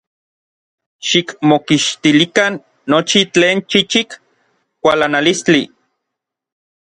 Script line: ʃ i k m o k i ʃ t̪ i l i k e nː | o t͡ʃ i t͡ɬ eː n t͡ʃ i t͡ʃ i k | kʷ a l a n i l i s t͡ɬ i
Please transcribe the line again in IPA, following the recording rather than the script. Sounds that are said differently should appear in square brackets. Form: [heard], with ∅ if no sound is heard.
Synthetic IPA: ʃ i k m o k i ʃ t̪ i l i k [a] nː | o t͡ʃ i t͡ɬ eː n t͡ʃ i t͡ʃ i k | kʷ a l a n [a] l i s t͡ɬ i